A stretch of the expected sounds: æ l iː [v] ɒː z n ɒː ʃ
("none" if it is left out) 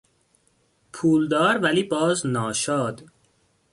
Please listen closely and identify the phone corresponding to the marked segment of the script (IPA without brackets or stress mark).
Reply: b